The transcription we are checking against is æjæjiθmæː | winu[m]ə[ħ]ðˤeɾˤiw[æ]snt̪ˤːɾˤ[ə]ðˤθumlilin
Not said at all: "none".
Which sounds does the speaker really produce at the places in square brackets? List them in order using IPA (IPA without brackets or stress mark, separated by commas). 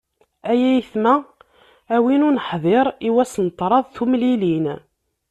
n, ħ, æ, ɑ